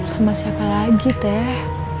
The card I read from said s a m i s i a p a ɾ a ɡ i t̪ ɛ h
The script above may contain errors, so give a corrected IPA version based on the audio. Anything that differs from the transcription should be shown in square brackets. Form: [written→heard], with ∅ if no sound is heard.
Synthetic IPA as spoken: s a m [i→a] s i a p a [ɾ→l] a ɡ i t̪ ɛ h